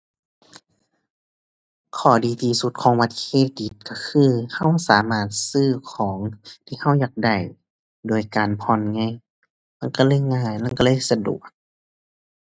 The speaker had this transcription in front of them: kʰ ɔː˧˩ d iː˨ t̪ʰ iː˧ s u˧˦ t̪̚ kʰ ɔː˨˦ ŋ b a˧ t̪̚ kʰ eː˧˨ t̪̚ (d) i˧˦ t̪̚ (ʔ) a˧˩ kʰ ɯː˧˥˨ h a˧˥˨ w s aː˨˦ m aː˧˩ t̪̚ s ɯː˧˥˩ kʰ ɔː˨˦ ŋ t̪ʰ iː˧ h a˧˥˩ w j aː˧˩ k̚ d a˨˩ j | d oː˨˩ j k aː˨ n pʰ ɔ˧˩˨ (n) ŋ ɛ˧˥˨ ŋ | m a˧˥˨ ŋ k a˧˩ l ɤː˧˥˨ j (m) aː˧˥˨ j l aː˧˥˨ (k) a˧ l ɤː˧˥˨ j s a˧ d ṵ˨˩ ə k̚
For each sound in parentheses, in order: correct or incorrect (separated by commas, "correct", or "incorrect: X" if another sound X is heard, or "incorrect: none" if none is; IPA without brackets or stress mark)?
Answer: correct, incorrect: k, correct, incorrect: ŋ, correct